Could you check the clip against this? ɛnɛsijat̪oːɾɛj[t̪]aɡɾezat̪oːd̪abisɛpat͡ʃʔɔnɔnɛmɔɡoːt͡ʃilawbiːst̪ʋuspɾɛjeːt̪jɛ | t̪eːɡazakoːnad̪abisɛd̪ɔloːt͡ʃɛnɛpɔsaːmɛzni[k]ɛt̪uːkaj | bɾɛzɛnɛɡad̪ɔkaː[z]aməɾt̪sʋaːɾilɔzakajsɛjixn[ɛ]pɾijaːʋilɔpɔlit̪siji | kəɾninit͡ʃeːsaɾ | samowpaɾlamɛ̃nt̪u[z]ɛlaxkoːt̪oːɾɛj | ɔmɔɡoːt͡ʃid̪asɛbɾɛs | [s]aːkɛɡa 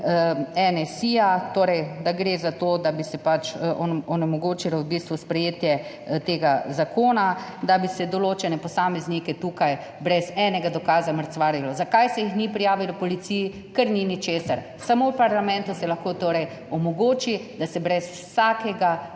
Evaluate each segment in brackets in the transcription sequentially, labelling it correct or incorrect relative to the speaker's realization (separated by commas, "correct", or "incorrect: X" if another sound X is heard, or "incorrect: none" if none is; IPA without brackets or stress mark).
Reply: incorrect: d̪, correct, correct, incorrect: i, incorrect: s, correct